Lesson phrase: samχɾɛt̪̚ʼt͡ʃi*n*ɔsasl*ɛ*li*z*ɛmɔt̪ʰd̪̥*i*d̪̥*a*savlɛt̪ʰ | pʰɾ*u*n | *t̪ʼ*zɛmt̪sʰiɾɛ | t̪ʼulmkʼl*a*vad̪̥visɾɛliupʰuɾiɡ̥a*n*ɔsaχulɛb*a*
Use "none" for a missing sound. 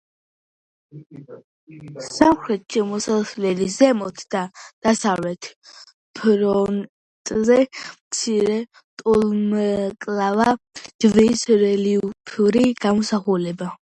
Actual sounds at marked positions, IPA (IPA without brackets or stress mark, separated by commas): m, ɛ, z, a, a, ɔ, t̪ʼ, a, m, a